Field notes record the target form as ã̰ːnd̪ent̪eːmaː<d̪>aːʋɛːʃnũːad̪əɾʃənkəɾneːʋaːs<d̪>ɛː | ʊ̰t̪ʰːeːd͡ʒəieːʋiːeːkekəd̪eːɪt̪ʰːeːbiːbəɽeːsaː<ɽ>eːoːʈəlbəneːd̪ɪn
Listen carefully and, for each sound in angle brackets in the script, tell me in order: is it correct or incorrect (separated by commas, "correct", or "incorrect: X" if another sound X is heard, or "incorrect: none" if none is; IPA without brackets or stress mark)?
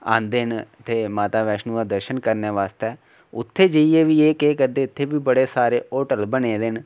incorrect: t̪, incorrect: t̪, incorrect: ɾ